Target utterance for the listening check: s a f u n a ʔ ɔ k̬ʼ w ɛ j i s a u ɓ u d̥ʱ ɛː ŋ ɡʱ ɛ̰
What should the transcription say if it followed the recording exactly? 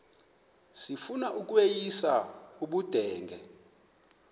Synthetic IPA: s i f u n a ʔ u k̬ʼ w e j i s a u ɓ u d̥ʱ ɛː ŋ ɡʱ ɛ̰